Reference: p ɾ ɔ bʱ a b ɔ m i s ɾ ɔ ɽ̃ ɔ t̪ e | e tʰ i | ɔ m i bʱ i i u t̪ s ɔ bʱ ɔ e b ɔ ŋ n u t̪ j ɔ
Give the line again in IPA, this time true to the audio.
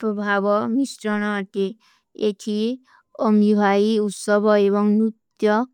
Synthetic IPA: p ɾ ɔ bʱ a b ɔ m i s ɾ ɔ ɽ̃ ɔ t̪ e | e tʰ i | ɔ m i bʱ a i u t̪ s ɔ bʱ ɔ e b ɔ ŋ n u t̪ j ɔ